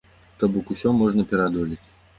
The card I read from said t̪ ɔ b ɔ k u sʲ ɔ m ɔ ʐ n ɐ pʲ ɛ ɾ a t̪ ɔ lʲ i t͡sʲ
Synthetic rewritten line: t̪ ɔ b ɔ k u sʲ ɔ m ɔ ʐ n ɐ pʲ ɛ ɾ a d̪ ɔ lʲ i t͡sʲ